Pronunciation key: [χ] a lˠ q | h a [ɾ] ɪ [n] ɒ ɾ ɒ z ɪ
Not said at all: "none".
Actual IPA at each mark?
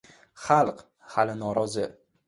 χ, l, n

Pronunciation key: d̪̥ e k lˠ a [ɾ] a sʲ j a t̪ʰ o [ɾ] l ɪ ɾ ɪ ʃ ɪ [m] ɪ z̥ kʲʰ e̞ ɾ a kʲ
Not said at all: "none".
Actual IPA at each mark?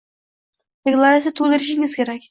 ɾ, none, ŋ

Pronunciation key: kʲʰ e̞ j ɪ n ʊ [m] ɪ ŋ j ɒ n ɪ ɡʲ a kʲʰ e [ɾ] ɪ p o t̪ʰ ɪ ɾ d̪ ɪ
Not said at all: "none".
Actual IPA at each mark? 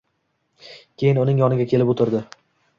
n, l

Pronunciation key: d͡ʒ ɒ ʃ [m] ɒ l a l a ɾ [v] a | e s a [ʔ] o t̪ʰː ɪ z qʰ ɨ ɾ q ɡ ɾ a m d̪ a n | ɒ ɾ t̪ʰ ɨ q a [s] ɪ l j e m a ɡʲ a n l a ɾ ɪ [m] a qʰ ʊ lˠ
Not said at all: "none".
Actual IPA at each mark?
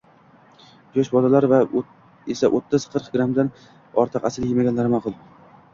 b, v, ʔ, s, m

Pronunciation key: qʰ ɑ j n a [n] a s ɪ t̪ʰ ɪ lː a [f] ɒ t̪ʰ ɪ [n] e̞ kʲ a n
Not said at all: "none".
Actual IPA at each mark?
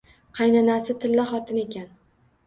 n, χ, n

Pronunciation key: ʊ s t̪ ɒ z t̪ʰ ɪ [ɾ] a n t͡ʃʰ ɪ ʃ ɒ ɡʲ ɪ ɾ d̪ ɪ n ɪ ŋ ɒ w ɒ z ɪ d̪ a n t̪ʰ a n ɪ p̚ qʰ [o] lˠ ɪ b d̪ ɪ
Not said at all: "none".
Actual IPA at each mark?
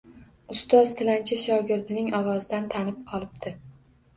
l, ɒ

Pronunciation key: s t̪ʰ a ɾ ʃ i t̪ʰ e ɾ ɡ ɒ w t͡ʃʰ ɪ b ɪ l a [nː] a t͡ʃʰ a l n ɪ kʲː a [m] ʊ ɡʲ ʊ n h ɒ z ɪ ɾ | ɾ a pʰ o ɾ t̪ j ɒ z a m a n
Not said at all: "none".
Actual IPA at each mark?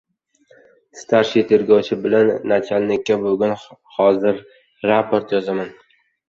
nː, b

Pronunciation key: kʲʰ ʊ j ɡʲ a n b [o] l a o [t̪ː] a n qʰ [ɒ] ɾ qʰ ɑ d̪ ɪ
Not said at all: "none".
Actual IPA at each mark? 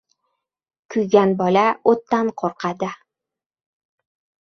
ɒ, t̪ː, o

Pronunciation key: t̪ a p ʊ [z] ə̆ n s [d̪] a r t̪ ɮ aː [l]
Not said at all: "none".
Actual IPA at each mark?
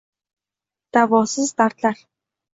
s, t̪, r

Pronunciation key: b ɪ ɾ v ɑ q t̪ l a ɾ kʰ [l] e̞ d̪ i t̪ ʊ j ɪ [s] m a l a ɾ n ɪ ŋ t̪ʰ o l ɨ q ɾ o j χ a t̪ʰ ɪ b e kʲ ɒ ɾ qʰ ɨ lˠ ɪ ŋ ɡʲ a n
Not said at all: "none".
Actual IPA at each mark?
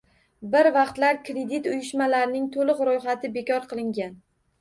ɾ, ʃ

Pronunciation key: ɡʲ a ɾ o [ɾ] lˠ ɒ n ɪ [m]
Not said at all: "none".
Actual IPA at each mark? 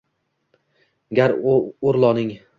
ɾ, ŋ

